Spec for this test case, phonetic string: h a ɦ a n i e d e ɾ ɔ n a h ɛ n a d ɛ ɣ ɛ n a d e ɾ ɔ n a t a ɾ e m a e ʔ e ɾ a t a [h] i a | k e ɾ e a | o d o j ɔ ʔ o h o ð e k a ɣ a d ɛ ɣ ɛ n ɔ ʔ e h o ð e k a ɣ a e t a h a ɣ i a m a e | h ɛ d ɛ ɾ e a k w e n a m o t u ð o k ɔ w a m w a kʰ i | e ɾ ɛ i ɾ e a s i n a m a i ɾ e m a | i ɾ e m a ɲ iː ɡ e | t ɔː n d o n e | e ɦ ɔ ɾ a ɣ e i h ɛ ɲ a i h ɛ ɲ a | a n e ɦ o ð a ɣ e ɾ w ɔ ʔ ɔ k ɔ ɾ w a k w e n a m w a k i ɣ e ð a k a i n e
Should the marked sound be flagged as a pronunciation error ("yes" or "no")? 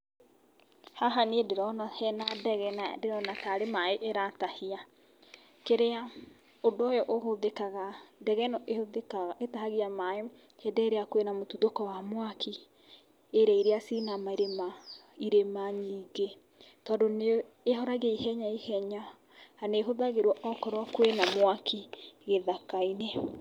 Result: no